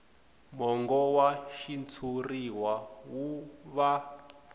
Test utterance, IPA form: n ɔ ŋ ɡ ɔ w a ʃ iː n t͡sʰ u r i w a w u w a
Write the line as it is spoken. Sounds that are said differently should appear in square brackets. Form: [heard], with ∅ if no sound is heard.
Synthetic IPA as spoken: [m] ɔ ŋ ɡ ɔ w a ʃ [i] n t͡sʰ u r i w a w u [β] a